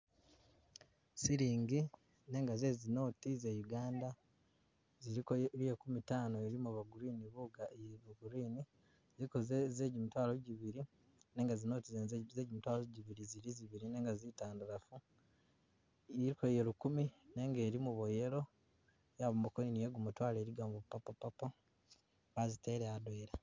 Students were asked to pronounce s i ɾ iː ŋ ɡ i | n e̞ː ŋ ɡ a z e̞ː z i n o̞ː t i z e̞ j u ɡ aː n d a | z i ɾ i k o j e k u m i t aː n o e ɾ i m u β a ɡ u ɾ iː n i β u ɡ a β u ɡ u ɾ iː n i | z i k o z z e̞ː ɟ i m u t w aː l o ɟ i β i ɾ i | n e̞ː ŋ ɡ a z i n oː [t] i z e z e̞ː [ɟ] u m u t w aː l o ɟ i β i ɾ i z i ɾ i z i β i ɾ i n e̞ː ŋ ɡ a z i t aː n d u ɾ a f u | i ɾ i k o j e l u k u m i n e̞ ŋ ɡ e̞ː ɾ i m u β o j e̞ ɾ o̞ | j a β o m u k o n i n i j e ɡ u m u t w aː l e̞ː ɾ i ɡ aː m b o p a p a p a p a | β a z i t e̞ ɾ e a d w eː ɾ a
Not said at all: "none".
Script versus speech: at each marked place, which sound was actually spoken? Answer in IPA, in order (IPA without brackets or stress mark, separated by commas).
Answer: t, ɟ